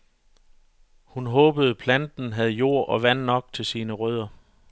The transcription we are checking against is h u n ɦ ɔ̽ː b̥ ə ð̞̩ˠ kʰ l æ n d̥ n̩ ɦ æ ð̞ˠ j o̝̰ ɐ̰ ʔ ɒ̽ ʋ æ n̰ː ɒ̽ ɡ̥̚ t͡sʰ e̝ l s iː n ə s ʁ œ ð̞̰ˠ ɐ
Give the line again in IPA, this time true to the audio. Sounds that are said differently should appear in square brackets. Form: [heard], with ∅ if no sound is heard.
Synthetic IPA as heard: h u n ɦ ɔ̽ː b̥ ə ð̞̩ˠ [pʰ] l æ n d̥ n̩ ɦ æ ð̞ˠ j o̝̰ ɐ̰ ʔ ɒ̽ ʋ æ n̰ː ɒ̽ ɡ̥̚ t͡sʰ e̝ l s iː n ə [∅] ʁ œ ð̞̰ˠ ɐ